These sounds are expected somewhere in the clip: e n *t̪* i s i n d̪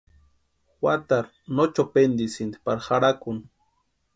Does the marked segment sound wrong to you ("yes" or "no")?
yes